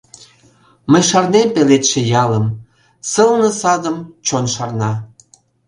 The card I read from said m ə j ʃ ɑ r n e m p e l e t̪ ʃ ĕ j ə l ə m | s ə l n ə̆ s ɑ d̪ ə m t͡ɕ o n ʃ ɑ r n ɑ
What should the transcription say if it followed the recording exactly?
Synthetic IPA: m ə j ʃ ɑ r n e m p e l e t̪ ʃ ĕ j ɑ l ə m | s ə l n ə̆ s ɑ d̪ ə m t͡ɕ o n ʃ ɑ r n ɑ